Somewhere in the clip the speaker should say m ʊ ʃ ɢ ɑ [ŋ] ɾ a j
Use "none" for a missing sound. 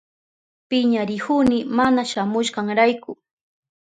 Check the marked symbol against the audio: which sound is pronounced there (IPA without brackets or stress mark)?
ŋ